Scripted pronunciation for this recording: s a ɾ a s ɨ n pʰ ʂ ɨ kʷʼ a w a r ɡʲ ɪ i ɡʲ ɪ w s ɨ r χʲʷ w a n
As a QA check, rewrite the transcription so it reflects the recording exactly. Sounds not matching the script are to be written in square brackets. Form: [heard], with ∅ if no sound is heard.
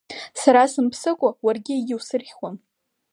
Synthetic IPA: s a ɾ a s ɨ [m] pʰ [s] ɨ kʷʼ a w a r ɡʲ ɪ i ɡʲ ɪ w s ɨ r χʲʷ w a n